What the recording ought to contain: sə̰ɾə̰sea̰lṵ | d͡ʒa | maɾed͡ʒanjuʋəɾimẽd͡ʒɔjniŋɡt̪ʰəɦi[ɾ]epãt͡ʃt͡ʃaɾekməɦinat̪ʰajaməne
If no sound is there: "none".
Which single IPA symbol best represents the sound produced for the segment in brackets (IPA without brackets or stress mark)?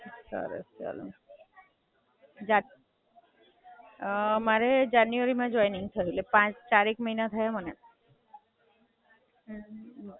l